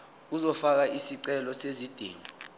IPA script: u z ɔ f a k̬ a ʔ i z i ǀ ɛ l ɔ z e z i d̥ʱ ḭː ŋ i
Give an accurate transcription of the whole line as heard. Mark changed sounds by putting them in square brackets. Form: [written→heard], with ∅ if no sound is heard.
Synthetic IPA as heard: u z ɔ f a k̬ a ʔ i [z→s] i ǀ ɛ l ɔ [z→s] e z i d̥ʱ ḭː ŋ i